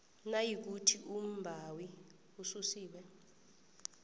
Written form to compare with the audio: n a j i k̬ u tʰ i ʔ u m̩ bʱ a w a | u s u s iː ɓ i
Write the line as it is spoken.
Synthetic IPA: n a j i k̬ u tʰ i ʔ u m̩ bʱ a w i | u s u s iː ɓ ɛ